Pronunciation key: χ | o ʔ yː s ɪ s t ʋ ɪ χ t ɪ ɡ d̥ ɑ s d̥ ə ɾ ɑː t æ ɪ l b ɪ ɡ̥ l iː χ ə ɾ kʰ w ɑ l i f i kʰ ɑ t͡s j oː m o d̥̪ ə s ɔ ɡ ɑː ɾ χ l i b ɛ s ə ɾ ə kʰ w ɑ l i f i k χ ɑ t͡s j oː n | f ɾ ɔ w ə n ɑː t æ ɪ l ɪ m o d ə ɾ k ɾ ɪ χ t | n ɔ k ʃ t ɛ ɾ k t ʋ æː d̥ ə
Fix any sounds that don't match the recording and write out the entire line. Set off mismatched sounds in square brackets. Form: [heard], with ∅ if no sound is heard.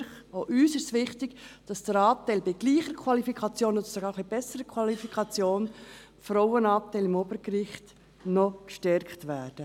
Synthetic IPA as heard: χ | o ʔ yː s ɪ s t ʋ ɪ χ t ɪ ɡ d̥ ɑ s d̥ ə ɾ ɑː t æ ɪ l b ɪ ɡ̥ l iː χ ə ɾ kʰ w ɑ l i f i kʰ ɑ t͡s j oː [n] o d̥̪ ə s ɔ ɡ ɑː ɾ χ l i b ɛ s ə ɾ ə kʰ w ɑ l i f i k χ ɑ t͡s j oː n | f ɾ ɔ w ə n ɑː t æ ɪ l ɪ m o [b] ə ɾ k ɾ ɪ χ t | n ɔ k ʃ t ɛ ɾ k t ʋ æː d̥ ə

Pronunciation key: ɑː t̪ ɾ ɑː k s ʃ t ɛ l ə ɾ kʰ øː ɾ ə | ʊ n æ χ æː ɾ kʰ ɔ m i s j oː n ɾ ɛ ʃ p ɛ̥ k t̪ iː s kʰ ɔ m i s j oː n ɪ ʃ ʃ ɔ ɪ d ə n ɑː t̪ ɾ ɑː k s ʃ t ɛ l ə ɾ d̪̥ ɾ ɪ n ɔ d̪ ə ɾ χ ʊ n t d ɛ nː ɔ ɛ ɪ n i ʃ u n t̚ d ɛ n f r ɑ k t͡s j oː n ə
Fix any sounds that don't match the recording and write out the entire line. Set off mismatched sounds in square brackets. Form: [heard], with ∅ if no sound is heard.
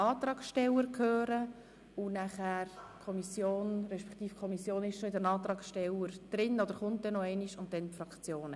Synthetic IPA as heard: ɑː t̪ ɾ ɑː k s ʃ t ɛ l ə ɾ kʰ øː ɾ ə | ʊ n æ χ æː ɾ kʰ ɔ m i s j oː n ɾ ɛ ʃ p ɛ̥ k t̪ iː [f] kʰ ɔ m i s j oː n ɪ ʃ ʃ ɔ ɪ d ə n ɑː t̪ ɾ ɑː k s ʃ t ɛ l ə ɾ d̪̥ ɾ ɪ n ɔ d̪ ə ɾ χ ʊ n t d ɛ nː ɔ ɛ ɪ n i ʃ [ʊ] n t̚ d ɛ n f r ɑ k t͡s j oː n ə

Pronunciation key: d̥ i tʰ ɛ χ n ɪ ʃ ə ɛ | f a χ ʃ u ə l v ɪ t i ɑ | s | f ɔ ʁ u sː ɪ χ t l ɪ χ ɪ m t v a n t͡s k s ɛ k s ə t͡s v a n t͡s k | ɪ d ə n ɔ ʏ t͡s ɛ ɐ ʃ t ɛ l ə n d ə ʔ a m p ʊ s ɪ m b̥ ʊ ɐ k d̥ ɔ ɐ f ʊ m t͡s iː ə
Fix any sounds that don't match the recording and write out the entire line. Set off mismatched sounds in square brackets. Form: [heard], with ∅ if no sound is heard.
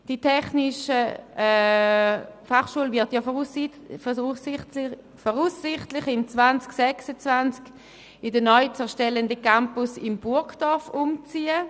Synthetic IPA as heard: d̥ i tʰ ɛ χ n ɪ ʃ ə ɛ | f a χ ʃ u ə l v ɪ t [j] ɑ | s | f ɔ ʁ u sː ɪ χ t l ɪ χ ɪ m [t͡s] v a n t͡s k s ɛ k s ə t͡s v a n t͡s k | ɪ d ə n ɔ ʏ t͡s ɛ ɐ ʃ t ɛ l ə n d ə [k] a m p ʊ s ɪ m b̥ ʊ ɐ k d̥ ɔ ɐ f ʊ m t͡s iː ə

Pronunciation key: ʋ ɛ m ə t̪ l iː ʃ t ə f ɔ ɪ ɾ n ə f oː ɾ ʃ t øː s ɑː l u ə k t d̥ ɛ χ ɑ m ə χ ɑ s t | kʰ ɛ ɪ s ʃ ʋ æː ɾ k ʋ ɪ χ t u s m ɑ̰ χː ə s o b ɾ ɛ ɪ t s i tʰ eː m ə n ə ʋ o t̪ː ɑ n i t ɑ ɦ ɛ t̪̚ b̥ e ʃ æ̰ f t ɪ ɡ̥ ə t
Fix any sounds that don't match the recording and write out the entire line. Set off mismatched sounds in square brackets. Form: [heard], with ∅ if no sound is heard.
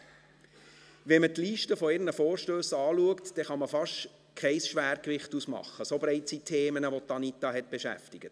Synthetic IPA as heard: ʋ ɛ m ə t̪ l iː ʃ t ə f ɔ ɪ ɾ n ə f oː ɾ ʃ t øː s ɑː l u ə k t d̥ ɛ χ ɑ m ə [f] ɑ [ʃ] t | kʰ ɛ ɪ s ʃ ʋ æː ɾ k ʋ ɪ χ t u s m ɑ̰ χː ə s o b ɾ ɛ ɪ t s i tʰ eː m ə n ə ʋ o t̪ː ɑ n i t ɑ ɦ ɛ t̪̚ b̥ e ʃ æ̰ f t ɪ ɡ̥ ə t

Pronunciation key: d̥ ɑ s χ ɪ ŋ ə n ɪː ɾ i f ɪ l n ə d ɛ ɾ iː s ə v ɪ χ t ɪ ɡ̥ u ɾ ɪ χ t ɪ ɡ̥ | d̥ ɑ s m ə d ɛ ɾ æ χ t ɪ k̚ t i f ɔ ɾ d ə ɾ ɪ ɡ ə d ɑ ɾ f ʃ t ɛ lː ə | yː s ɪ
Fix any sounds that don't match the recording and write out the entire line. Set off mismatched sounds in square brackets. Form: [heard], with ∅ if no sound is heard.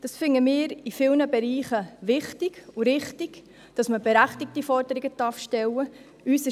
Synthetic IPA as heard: d̥ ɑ s [f] ɪ ŋ ə [m] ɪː ɾ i f ɪ l n ə [b] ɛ ɾ iː [χ] ə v ɪ χ t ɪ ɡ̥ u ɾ ɪ χ t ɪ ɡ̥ | d̥ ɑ s m ə [b] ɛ ɾ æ χ t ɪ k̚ t i f ɔ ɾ d ə ɾ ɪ ɡ ə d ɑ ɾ f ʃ t ɛ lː ə | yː s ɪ

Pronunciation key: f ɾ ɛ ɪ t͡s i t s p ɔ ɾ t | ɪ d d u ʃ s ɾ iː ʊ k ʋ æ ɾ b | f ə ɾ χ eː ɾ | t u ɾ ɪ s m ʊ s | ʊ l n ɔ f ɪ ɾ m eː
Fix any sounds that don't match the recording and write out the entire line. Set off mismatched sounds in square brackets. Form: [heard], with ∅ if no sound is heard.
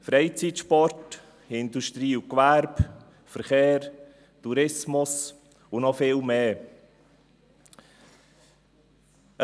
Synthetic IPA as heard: f ɾ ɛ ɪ t͡s i t [ʃ] p ɔ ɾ t | ɪ [n] d u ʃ [t] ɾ iː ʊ k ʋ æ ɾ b | f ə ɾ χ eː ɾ | t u ɾ ɪ s m ʊ s | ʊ [∅] n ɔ f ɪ [l] m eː

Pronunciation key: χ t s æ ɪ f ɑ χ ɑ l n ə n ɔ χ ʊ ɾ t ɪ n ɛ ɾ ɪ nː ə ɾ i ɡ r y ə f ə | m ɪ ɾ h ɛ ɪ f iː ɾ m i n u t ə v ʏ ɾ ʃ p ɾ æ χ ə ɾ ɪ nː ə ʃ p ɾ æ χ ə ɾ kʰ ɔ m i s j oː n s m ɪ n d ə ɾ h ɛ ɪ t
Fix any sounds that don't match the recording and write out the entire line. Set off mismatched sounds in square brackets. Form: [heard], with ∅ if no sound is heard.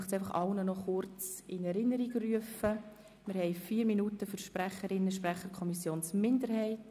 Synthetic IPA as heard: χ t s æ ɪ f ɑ χ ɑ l n ə n ɔ χ ʊ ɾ [t͡s] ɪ n ɛ ɾ ɪ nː ə ɾ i ɡ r y ə f ə | m ɪ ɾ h ɛ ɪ f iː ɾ m i n u t ə [f] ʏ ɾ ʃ p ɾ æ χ ə ɾ ɪ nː ə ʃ p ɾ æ χ ə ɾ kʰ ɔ m i s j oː n s m ɪ n d ə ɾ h ɛ ɪ t

